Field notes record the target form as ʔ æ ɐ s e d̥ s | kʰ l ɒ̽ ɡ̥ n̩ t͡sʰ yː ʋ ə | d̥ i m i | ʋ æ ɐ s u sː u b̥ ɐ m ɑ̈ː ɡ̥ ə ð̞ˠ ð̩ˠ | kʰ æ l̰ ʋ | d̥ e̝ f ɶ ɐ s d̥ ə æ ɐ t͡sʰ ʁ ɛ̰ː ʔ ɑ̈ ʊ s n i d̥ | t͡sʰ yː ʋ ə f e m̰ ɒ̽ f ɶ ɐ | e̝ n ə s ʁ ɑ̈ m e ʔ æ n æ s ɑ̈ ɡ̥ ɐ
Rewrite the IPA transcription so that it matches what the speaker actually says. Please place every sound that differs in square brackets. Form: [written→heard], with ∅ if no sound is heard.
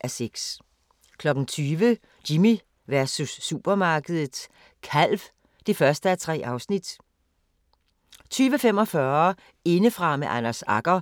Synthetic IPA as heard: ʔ æ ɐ s e [d̥→ɡ̥] s | kʰ l ɒ̽ ɡ̥ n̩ t͡sʰ yː ʋ ə | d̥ i m i | ʋ æ ɐ s u sː u b̥ ɐ m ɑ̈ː ɡ̥ ə ð̞ˠ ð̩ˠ | kʰ æ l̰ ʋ | d̥ e̝ f ɶ ɐ s d̥ ə æ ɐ t͡sʰ ʁ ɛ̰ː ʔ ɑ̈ ʊ s n i d̥ | t͡sʰ yː ʋ ə f e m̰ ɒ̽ f ɶ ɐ | e̝ n ə [s→f] ʁ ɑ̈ m e ʔ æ n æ s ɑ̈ ɡ̥ ɐ